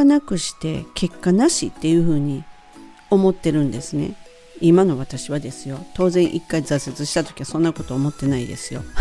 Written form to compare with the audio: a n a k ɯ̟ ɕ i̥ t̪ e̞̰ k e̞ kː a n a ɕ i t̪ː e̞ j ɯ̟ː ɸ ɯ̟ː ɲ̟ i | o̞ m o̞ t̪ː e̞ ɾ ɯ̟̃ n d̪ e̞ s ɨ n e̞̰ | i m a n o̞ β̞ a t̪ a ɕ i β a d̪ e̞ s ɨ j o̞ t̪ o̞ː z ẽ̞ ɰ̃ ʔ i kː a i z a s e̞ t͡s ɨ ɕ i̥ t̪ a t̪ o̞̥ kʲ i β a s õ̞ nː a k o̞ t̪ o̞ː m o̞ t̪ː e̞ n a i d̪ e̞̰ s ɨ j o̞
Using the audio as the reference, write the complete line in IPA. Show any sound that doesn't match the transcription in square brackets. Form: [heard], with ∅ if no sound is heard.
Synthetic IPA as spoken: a n a k ɯ̟ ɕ i̥ t̪ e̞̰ k e̞ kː a n a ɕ i t̪ː e̞ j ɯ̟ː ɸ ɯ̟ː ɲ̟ i | o̞ m o̞ t̪ː e̞ ɾ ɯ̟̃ n d̪ e̞ s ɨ n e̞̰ | i m a n o̞ β̞ a t̪ a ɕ i β a d̪ e̞ s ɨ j o̞ t̪ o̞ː z ẽ̞ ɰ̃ ʔ i kː a i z a s e̞ t͡s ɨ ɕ i̥ t̪ a t̪ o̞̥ kʲ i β a s õ̞ nː a k o̞ t̪ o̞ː m o̞ t̪ː e̞ n a i d̪ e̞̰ s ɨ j o̞